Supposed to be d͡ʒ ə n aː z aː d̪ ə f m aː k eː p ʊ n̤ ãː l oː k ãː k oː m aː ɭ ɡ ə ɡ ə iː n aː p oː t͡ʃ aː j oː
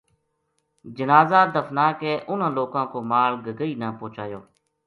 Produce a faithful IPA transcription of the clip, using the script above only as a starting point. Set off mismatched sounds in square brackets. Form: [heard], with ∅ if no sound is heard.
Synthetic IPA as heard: d͡ʒ ə n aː z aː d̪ ə f [n] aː k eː [ʔ] ʊ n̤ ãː l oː k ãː k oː m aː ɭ ɡ ə ɡ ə iː n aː p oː t͡ʃ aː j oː

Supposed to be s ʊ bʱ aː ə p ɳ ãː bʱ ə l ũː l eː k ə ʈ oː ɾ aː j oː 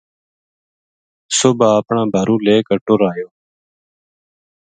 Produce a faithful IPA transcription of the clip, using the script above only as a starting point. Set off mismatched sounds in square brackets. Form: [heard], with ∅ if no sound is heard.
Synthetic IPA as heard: s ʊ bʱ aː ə p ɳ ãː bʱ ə [ɾ] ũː l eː k ə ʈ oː ɾ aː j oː

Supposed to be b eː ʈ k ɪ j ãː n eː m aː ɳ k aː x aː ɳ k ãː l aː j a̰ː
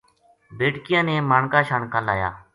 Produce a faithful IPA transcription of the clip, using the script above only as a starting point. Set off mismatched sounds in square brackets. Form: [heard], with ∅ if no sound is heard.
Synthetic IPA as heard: b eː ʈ k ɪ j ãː n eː m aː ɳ k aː [ʃ] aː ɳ k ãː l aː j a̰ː

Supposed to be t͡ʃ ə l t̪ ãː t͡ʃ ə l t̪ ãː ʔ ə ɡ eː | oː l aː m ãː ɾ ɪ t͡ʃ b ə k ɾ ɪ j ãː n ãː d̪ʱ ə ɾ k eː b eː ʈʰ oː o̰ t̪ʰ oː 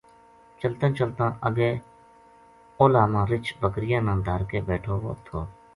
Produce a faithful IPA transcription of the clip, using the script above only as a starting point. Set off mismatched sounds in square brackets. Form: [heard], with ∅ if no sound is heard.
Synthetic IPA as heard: t͡ʃ ə l t̪ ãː t͡ʃ ə l t̪ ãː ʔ ə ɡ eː | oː l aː m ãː ɾ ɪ t͡ʃ b ə k ɾ ɪ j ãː n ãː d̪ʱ ə ɾ k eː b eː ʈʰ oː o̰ t̪ʰ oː

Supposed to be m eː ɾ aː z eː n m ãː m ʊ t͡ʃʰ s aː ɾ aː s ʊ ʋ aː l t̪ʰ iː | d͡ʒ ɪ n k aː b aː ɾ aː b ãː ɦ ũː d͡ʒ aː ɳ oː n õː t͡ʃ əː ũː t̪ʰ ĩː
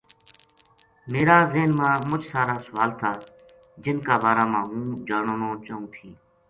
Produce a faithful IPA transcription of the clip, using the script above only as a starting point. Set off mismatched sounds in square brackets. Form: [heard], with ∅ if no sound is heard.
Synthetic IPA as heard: m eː ɾ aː z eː n m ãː m ʊ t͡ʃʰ s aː ɾ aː s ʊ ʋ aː l t̪ʰ [aː] | d͡ʒ ɪ n k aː b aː ɾ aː [m] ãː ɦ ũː d͡ʒ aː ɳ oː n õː t͡ʃ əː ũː t̪ʰ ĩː

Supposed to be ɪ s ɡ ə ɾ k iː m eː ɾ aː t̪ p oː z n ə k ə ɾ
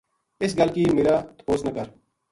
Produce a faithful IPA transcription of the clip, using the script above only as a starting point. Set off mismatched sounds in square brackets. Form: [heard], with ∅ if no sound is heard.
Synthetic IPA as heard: ɪ s ɡ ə [l] k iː m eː ɾ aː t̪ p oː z n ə k ə ɾ

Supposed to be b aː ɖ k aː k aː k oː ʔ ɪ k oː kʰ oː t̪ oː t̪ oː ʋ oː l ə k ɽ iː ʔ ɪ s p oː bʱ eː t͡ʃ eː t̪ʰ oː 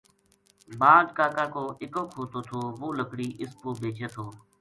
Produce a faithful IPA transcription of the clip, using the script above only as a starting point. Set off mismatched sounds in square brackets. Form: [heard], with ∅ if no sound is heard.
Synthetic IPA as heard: b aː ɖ k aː k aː k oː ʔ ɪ k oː kʰ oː t̪ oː [t̪ʰ] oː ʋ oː l ə k ɽ iː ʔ ɪ s p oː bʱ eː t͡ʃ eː t̪ʰ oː

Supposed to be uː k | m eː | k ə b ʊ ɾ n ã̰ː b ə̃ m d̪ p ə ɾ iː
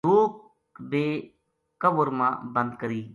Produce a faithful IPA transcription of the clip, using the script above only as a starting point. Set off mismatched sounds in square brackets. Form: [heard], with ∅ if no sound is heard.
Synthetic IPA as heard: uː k | [b] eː | k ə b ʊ ɾ [m] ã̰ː b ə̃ [n] d̪ [k] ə ɾ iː

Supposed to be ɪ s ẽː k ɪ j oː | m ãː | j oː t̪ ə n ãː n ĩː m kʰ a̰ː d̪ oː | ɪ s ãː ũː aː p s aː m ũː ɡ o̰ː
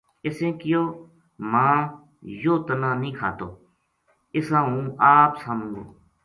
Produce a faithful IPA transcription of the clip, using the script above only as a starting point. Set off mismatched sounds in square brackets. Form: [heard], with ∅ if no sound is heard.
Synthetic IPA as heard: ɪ s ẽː k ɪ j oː | m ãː | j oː t̪ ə n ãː n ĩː [∅] kʰ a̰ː [t̪] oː | ɪ s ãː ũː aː p s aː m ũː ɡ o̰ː

